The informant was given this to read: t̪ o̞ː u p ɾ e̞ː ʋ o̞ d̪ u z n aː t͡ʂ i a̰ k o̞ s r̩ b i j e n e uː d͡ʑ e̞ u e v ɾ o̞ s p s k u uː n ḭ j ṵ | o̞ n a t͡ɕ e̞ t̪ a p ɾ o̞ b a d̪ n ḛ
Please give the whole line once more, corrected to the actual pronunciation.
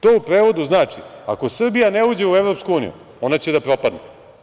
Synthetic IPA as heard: t̪ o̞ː u p ɾ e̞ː ʋ o̞ d̪ u z n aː t͡ʂ i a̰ k o̞ s r̩ b i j a n e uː d͡ʑ e̞ u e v ɾ o̞ p s k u uː n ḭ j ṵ | o̞ n a t͡ɕ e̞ d̪ a p ɾ o̞ p a d̪ n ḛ